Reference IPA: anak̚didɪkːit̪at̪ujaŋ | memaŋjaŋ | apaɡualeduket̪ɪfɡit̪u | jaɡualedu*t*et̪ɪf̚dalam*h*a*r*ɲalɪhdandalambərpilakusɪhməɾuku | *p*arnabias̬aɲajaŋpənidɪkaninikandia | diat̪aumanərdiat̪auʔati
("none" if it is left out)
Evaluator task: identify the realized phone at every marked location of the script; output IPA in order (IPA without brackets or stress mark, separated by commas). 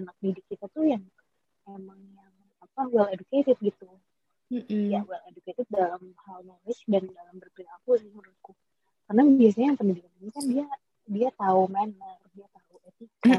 k, h, l, k